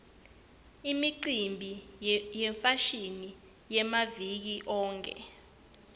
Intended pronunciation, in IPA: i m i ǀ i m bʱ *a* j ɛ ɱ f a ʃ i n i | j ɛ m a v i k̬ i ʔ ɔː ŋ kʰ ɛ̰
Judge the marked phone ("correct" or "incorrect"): incorrect